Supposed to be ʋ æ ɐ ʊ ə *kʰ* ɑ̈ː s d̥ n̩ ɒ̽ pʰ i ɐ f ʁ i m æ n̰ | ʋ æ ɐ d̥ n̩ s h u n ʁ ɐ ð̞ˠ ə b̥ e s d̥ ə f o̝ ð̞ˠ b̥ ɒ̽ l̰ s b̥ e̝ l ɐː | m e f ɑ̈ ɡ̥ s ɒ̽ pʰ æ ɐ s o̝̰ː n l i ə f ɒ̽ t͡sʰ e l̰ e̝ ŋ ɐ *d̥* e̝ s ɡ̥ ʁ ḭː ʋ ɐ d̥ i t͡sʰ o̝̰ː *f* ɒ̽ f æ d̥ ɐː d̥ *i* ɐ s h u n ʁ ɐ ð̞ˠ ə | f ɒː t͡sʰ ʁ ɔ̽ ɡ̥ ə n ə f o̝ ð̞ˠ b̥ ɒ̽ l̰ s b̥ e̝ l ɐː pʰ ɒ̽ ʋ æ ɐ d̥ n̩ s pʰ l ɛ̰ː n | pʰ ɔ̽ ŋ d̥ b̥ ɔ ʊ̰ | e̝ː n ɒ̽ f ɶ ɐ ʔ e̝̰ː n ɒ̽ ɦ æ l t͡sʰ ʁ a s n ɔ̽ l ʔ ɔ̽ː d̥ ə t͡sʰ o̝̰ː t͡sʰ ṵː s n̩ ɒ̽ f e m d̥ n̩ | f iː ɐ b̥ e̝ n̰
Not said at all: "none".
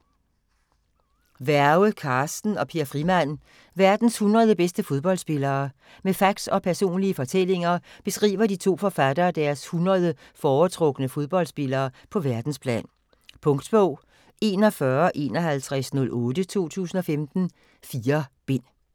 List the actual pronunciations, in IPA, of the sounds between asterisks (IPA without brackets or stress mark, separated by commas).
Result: kʰ, b̥, f, æ